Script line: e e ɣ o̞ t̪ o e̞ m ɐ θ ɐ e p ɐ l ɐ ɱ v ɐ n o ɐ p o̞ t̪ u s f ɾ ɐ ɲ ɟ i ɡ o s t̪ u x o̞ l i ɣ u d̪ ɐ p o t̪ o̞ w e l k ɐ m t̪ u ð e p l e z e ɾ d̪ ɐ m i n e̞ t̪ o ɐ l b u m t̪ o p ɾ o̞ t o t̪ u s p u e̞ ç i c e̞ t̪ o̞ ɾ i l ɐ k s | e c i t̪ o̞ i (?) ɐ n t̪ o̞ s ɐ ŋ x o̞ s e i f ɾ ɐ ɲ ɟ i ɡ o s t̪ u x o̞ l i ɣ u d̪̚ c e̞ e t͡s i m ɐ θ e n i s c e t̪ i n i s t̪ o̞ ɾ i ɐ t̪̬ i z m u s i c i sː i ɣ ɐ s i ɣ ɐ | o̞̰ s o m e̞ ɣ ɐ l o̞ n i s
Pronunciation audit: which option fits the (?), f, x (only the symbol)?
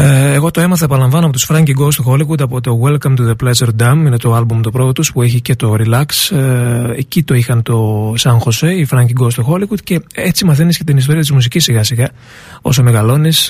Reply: x